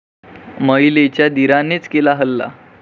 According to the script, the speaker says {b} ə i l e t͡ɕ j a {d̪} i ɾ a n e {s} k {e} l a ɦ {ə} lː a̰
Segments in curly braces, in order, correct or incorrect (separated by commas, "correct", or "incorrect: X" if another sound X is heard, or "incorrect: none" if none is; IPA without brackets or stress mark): incorrect: m, correct, incorrect: t͡s, correct, correct